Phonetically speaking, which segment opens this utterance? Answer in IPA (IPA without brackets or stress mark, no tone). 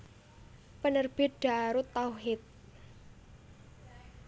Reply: p